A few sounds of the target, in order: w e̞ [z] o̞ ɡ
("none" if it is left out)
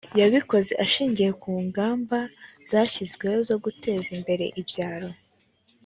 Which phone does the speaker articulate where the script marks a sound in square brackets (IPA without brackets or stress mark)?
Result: z